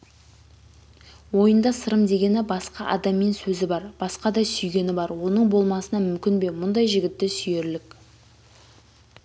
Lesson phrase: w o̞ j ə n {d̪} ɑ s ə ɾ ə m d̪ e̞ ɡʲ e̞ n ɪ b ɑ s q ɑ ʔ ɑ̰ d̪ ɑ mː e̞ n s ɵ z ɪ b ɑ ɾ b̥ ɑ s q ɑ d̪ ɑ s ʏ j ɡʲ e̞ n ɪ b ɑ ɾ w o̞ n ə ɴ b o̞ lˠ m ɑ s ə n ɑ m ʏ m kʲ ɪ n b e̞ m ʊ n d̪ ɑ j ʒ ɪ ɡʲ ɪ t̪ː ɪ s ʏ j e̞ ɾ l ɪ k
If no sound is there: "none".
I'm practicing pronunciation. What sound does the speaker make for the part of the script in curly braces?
d̪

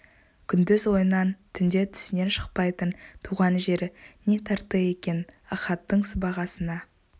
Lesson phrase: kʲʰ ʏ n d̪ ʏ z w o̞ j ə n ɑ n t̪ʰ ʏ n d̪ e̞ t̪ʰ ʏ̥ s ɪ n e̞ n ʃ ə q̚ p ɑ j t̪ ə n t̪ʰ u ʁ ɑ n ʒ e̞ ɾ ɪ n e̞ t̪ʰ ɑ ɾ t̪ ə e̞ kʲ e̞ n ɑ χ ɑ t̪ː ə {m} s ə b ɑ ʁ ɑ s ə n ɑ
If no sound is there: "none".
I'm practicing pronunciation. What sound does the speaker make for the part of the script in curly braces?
ɴ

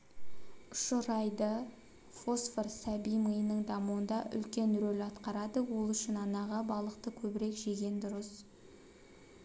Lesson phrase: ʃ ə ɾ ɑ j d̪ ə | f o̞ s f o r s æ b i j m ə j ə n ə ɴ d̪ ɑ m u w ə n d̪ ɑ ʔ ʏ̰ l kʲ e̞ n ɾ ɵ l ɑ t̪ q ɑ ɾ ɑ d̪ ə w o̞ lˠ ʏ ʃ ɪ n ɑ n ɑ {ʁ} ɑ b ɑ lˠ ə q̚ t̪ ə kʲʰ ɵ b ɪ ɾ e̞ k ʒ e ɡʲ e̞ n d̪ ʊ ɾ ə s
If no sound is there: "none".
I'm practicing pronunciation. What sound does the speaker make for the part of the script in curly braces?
ʁ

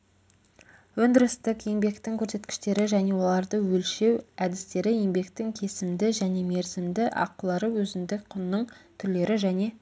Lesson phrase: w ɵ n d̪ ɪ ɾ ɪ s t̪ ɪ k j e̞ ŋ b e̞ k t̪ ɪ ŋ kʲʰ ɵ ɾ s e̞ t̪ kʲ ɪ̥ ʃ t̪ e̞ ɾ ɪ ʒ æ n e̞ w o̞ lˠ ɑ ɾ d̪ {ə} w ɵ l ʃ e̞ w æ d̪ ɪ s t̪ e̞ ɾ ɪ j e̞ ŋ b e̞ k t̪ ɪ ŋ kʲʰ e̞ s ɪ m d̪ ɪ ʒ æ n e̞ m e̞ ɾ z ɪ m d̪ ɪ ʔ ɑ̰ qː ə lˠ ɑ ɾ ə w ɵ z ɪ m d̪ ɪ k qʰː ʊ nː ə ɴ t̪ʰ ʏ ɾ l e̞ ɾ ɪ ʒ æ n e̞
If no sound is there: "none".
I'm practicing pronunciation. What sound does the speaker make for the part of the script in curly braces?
ə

